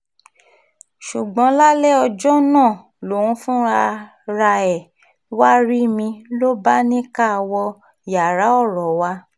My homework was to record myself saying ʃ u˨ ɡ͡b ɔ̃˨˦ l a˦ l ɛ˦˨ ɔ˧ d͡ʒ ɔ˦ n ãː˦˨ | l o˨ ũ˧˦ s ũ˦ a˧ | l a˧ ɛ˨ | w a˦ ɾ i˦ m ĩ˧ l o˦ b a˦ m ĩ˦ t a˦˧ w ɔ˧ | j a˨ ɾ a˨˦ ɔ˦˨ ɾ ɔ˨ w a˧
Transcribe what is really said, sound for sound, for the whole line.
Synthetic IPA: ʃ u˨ ɡ͡b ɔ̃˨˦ l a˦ l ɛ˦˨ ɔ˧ d͡ʒ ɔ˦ n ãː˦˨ | l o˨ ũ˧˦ f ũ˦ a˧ | ɾ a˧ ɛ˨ | w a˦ ɾ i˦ m ĩ˧ l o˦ b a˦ n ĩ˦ k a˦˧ w ɔ˧ | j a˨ ɾ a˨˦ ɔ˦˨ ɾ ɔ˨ w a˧